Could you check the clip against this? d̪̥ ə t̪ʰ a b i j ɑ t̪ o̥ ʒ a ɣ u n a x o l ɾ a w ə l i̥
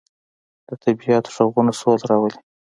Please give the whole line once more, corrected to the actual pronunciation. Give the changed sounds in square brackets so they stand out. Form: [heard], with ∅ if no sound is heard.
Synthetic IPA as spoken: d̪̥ ə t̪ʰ a b i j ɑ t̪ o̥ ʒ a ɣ u n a [s] o l ɾ [ɑ] w ə l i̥